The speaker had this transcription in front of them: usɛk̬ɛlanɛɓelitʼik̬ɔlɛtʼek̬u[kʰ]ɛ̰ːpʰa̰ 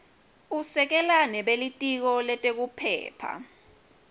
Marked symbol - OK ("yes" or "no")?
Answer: no